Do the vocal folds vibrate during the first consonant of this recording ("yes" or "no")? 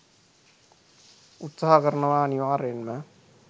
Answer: no